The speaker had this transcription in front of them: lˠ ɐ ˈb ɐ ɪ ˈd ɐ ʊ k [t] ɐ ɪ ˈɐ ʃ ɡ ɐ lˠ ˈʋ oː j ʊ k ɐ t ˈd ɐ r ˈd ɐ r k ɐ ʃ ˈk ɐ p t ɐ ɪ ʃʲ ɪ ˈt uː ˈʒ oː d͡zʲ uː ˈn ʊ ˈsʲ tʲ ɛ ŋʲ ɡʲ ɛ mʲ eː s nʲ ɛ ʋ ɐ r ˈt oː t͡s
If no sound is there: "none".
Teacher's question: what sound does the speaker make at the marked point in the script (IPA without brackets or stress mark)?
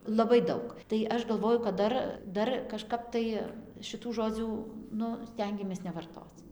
t